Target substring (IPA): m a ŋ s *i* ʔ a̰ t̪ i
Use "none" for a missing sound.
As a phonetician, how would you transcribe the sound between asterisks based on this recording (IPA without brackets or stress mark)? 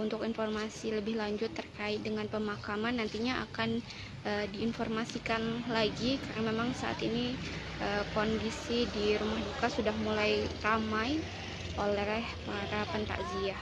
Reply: a